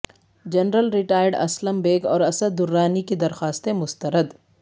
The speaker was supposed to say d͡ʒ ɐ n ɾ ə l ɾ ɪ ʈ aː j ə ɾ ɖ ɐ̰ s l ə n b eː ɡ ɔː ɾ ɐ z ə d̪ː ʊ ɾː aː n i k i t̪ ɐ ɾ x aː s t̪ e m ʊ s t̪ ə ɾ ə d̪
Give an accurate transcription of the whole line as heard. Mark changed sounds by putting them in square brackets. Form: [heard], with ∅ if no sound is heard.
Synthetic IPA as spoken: d͡ʒ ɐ n ɾ ə l ɾ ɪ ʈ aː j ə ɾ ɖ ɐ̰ s l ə [m] b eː ɡ ɔː ɾ ɐ [s] ə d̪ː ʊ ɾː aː n i k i [d̪] ɐ ɾ x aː s t̪ e m ʊ s t̪ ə ɾ ə d̪